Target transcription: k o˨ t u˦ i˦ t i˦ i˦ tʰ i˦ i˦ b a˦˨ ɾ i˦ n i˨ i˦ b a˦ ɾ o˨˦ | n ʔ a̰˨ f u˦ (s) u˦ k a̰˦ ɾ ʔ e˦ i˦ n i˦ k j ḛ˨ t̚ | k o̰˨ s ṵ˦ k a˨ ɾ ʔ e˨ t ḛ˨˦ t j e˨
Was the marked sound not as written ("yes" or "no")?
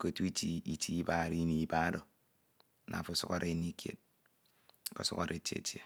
no